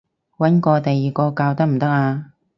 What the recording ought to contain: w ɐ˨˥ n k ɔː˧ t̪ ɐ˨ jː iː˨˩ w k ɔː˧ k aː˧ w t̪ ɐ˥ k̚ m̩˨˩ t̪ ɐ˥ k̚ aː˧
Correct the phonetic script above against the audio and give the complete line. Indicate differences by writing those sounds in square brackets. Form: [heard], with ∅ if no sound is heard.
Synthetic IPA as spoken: w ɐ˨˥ n k ɔː˧ t̪ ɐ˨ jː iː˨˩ [∅] k ɔː˧ k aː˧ w t̪ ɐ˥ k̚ m̩˨˩ t̪ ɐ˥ k̚ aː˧